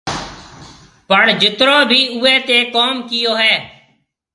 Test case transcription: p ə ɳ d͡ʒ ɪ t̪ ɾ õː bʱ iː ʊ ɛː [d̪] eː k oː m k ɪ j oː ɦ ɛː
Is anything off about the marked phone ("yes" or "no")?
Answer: yes